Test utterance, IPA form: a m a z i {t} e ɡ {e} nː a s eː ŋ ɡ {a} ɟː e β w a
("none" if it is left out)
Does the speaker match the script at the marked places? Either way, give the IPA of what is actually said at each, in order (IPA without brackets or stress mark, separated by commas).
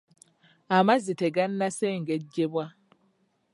t, a, e